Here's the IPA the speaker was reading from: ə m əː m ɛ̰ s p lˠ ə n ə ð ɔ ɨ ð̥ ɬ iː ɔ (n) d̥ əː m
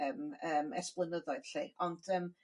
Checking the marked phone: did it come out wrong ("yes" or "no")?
no